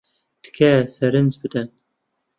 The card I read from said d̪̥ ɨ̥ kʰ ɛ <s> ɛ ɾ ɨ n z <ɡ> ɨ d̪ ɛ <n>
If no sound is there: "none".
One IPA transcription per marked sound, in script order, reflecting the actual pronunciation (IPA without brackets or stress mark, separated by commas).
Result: s, b, n